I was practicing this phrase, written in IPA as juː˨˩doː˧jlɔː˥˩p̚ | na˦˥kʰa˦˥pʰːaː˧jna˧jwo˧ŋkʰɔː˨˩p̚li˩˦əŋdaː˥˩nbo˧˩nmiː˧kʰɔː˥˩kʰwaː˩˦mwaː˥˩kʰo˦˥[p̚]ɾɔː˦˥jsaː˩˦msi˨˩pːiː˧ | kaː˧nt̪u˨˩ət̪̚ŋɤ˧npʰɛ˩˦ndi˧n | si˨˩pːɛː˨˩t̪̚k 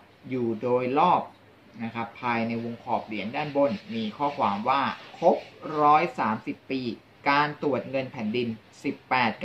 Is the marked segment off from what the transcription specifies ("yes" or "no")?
no